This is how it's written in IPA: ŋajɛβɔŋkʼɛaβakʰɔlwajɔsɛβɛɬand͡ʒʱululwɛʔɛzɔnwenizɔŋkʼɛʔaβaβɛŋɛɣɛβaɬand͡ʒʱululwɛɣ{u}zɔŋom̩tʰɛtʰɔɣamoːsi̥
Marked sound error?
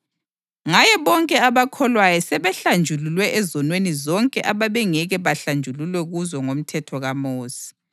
no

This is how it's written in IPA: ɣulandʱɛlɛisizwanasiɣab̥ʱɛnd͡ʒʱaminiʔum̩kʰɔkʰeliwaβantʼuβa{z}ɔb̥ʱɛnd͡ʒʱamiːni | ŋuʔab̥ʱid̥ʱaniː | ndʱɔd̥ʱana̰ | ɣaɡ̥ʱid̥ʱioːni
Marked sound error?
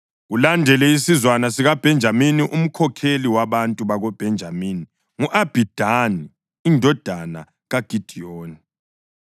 yes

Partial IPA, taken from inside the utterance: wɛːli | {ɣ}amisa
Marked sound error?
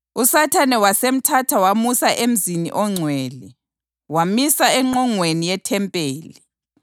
yes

